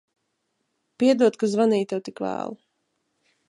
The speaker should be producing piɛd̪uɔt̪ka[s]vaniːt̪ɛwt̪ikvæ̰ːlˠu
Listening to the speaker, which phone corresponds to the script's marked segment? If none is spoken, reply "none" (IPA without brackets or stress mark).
z